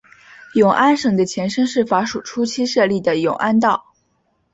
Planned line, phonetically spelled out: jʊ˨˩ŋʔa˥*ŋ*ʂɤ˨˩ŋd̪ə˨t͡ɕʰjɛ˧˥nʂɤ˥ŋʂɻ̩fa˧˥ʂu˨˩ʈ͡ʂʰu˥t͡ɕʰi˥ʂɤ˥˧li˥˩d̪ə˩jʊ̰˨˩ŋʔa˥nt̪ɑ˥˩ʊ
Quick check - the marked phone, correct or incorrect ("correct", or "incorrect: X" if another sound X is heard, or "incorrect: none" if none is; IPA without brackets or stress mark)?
incorrect: n